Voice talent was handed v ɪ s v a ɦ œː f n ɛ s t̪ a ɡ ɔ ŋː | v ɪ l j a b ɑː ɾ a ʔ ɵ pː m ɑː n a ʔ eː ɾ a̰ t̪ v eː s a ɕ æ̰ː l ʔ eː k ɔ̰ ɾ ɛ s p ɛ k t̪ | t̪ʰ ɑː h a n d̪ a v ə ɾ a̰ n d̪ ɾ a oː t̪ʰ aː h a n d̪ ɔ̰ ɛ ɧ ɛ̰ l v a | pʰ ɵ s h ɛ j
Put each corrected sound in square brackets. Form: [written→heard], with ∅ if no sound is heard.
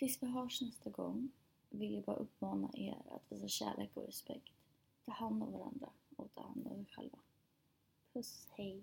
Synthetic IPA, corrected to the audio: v ɪ s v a ɦ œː [f→ʂ] n ɛ s t̪ a ɡ ɔ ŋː | v ɪ l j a b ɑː ɾ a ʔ ɵ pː m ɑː n a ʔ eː ɾ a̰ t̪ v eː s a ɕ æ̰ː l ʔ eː k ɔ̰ ɾ ɛ s p ɛ k t̪ | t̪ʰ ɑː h a n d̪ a v [ə→a] ɾ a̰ n d̪ ɾ a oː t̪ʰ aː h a n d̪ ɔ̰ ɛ ɧ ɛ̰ l v a | pʰ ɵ s h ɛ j